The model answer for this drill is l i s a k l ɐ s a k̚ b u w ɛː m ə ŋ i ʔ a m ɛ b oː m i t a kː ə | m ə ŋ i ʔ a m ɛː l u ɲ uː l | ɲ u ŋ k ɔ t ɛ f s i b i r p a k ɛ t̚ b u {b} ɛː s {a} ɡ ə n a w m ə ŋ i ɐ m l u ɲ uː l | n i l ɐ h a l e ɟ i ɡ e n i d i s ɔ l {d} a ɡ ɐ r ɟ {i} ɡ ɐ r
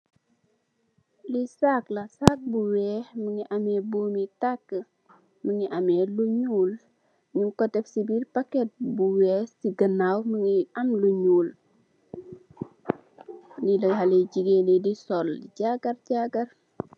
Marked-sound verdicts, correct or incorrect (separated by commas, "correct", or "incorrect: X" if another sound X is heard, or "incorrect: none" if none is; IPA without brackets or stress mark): incorrect: w, incorrect: i, incorrect: ɟ, incorrect: a